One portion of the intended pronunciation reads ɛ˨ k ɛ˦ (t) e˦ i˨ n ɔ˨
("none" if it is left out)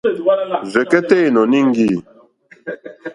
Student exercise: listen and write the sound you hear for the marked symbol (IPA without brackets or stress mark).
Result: t